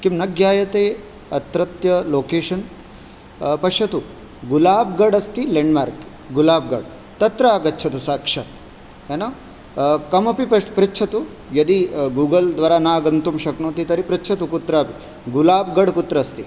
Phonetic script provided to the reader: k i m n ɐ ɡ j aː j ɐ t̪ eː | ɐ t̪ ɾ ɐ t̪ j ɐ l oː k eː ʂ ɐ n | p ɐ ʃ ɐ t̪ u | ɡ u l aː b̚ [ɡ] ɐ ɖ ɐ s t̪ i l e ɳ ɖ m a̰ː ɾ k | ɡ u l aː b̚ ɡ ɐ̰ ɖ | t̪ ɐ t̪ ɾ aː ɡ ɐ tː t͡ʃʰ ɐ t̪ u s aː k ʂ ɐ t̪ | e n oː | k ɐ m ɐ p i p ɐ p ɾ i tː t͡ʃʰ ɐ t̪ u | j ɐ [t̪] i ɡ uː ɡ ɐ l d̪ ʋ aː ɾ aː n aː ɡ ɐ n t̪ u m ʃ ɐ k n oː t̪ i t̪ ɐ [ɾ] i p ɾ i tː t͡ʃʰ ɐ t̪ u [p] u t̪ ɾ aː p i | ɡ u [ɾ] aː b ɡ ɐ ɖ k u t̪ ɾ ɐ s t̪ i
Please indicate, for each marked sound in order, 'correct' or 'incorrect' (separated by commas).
correct, incorrect, correct, incorrect, incorrect